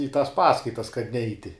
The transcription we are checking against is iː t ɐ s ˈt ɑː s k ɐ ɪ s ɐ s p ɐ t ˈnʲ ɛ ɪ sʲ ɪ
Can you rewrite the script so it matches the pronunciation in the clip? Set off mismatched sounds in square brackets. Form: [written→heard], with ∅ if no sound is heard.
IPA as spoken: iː t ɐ s [ˈt→ˈp] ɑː s k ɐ ɪ [s→t] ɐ s [p→k] ɐ t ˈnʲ ɛ ɪ [sʲ→tʲ] ɪ